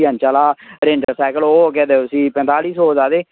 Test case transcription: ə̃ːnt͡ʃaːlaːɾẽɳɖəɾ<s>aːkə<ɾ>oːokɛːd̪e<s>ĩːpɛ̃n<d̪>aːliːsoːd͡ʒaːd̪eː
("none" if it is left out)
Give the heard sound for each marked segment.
s, l, s, t̪

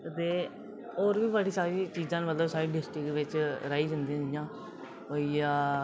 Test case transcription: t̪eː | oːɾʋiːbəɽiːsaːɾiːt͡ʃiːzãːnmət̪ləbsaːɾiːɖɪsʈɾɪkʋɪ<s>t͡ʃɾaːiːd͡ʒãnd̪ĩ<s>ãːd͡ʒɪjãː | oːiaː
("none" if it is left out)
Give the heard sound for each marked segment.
none, none

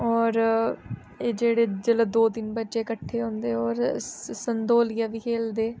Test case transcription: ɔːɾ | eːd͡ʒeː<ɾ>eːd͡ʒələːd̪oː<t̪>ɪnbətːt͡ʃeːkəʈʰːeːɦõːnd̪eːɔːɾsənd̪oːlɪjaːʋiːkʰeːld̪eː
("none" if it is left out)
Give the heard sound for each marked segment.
ɽ, d̪

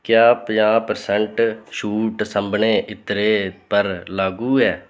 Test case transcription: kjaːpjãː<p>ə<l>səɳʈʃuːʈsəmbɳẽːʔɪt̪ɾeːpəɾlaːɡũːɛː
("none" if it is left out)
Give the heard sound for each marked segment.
p, ɾ

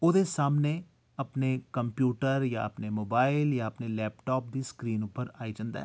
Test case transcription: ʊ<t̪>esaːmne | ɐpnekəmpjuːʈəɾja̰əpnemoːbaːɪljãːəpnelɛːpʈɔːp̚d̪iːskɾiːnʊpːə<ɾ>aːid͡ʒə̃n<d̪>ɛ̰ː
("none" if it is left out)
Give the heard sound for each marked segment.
d̪, ɾ, d̪

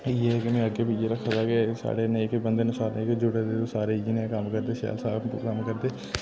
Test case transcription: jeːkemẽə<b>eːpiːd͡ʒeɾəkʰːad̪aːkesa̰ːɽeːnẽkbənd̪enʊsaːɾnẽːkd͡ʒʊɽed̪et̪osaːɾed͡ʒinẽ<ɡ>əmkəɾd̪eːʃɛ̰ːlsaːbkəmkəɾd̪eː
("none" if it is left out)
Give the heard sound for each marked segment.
ɡ, k

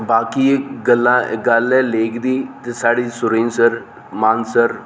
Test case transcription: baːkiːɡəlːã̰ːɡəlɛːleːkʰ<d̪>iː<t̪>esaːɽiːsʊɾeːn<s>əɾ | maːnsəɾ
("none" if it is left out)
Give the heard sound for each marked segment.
d̪, t̪, s

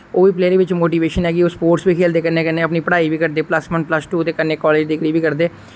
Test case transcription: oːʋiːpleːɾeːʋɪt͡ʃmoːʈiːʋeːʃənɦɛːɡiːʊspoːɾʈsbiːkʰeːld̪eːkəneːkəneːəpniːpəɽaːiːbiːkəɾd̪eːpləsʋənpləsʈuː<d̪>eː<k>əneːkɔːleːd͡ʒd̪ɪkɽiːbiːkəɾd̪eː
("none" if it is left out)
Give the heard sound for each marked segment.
t̪, k

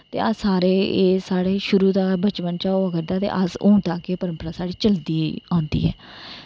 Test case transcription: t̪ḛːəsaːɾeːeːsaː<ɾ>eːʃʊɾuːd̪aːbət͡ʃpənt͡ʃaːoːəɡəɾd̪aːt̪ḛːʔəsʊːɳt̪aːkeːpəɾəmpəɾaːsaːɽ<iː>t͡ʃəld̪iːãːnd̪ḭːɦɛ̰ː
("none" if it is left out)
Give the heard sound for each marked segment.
ɽ, iː

